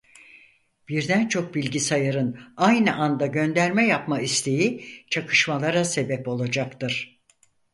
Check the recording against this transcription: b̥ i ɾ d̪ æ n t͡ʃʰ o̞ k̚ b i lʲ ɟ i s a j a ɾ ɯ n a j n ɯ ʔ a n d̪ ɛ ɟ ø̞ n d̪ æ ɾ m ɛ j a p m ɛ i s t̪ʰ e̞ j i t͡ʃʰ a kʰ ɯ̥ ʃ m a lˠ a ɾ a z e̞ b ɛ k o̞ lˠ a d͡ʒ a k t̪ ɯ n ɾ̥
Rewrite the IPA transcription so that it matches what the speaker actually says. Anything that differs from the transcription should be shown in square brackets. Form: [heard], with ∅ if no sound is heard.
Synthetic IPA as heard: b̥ i ɾ d̪ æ n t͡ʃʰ o̞ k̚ b i lʲ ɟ i s a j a ɾ ɯ n a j n ɯ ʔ a n d̪ [a] ɟ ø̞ n d̪ æ ɾ m ɛ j a p m [a] i s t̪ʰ e̞ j i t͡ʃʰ a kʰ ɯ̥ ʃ m a lˠ a ɾ a [s] e̞ b ɛ [p] o̞ lˠ a d͡ʒ a k t̪ ɯ [∅] ɾ̥